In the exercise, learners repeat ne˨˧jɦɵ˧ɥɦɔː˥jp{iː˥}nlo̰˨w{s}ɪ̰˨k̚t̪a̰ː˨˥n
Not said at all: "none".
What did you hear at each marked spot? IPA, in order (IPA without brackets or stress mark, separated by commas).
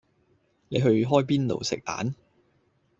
iː˥, s